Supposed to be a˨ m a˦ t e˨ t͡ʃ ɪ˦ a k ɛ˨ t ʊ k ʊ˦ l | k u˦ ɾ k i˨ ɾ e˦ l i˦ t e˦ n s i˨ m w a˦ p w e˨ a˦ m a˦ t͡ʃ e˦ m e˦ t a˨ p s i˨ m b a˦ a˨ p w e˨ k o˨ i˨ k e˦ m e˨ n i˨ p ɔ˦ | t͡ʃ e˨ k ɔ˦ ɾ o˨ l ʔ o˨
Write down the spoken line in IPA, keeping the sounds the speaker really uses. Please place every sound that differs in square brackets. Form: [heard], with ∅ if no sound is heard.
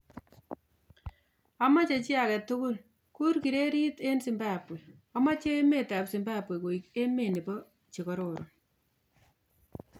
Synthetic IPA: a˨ m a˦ [t͡ʃ] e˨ t͡ʃ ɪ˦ a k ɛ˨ t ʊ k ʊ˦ l | k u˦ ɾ k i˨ ɾ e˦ [ɾ] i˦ t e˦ n s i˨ m [b] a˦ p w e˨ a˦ m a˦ t͡ʃ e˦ m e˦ t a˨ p s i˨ m b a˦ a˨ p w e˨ k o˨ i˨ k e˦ m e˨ n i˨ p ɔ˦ | t͡ʃ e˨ k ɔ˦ ɾ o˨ [ɾ] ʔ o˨